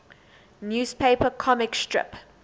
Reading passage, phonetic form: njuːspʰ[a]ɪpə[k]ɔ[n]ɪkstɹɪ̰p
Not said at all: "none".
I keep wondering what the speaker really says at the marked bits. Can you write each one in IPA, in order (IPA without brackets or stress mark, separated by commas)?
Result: e, kʰ, m